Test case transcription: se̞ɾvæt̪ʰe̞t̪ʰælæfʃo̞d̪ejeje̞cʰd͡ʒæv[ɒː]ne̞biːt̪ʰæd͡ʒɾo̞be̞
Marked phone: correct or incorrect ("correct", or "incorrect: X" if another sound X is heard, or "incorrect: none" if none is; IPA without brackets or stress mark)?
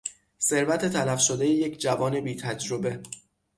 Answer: correct